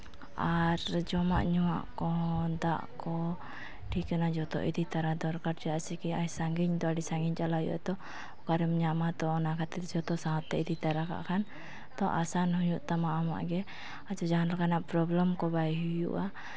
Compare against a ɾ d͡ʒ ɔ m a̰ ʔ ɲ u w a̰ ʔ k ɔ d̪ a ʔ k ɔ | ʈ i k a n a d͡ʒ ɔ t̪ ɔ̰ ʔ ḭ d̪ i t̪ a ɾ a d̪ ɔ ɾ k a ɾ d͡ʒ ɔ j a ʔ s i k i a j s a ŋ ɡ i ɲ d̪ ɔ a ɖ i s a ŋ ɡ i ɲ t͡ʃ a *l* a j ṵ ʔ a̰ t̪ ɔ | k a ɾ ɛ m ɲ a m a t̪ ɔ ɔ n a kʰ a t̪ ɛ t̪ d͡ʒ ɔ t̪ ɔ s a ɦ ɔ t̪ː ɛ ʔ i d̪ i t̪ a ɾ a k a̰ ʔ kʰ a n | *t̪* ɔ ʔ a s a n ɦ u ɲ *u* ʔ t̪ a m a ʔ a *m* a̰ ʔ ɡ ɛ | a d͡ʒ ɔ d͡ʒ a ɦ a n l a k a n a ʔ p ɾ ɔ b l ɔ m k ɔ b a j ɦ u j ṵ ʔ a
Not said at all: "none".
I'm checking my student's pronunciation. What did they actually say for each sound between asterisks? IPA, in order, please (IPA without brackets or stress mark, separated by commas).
l, t̪, u, m